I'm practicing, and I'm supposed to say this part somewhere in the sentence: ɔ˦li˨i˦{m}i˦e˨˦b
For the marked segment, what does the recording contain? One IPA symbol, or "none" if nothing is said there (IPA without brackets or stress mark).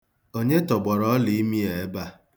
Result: m